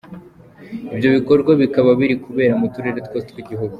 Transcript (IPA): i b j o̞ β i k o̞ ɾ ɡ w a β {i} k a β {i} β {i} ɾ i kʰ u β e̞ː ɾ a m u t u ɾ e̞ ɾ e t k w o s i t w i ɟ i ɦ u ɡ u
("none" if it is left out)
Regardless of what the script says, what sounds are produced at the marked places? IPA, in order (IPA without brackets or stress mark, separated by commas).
i, a, i